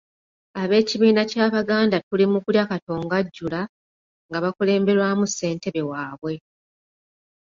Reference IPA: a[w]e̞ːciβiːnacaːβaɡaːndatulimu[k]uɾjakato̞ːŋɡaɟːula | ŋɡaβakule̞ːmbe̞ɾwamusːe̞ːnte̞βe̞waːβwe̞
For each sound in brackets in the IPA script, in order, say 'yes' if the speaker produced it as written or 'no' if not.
no, yes

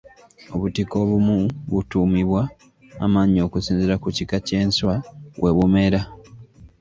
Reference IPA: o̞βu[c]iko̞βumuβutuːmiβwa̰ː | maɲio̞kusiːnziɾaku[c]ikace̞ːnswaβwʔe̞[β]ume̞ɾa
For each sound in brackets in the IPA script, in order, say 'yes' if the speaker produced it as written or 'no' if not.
no, yes, yes

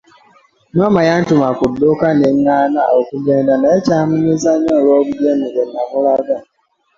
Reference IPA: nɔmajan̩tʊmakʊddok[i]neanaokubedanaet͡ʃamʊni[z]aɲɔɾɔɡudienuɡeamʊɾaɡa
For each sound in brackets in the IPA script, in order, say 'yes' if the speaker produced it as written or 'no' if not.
no, yes

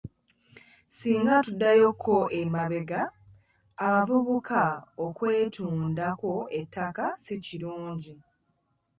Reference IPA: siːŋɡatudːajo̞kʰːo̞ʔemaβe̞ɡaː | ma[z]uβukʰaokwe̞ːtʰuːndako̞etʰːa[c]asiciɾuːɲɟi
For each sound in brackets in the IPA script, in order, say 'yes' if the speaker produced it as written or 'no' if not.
no, no

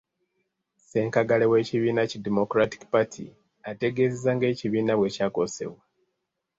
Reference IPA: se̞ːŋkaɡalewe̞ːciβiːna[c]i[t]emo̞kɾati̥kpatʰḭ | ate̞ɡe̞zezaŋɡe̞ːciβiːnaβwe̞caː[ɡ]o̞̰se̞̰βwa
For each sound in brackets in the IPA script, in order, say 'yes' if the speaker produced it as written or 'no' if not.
yes, no, no

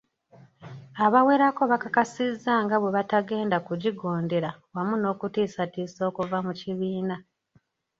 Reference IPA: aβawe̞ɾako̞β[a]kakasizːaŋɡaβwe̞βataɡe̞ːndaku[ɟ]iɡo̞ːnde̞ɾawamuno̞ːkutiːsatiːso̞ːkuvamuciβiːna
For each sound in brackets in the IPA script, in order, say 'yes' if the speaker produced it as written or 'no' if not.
yes, yes

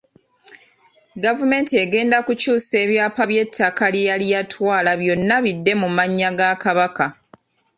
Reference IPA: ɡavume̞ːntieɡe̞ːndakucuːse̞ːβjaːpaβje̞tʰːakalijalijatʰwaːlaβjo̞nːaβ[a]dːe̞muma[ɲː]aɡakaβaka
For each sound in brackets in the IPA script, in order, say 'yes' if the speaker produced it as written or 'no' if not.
no, yes

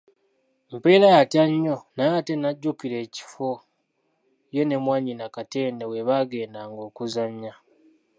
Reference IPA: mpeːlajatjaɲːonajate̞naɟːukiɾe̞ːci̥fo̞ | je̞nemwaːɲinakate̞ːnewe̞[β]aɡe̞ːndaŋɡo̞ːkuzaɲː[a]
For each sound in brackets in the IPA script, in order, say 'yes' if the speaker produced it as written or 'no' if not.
yes, yes

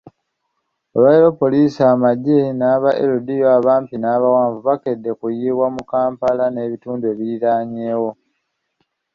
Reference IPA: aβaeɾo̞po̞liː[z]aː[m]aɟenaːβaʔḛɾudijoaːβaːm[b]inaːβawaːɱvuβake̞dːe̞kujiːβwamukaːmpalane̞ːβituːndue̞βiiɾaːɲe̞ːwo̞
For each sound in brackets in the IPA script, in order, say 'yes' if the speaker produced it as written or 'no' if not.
no, yes, no

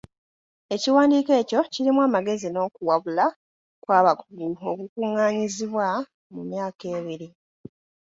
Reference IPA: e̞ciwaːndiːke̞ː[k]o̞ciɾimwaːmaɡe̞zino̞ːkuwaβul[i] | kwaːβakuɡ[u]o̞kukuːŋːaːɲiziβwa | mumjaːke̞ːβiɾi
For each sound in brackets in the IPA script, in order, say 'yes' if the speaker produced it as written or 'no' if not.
no, no, yes

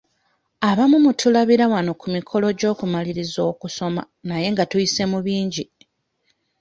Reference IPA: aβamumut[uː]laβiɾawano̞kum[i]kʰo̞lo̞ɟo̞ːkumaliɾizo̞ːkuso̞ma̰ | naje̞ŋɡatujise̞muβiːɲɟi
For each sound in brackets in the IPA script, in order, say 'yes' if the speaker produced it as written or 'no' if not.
no, yes

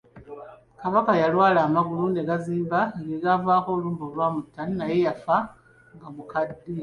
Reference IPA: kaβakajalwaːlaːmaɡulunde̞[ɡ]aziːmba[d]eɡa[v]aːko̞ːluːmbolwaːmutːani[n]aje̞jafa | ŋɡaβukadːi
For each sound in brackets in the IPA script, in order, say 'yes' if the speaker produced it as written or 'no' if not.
yes, no, yes, yes

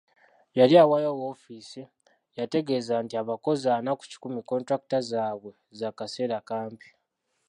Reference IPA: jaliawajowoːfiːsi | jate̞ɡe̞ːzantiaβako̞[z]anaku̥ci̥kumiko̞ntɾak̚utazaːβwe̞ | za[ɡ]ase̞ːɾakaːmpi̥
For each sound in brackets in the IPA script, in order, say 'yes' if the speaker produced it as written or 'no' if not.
yes, no

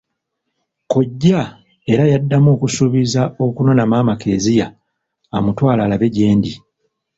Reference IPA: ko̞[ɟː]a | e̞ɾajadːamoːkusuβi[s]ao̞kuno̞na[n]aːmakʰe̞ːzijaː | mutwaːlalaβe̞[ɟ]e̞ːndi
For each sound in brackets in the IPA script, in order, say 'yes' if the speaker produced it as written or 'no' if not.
yes, no, no, yes

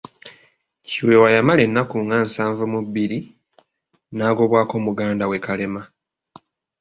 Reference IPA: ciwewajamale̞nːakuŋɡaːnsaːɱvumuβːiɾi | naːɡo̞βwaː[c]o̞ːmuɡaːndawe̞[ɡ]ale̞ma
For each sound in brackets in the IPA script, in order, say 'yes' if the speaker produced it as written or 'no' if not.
no, no

